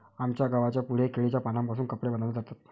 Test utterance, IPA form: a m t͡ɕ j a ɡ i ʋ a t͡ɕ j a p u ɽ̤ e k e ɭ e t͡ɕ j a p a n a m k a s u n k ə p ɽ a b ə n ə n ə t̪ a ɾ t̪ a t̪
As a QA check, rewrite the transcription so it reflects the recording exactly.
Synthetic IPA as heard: a m t͡ɕ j a ɡ a ʋ a t͡ɕ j a p u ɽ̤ e k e ɭ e t͡ɕ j a p a n a m p a s uː n k ə p ɽ e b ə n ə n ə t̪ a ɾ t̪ a t̪

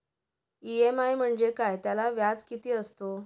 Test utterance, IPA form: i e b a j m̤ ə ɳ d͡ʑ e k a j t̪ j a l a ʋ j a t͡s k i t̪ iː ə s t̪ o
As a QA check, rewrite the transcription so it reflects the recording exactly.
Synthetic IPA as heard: i e m a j m̤ ə ɳ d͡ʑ e k a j t̪ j a l a ʋ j a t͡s k i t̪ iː ə s t̪ o

